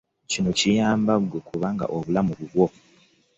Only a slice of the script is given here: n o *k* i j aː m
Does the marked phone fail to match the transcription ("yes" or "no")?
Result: yes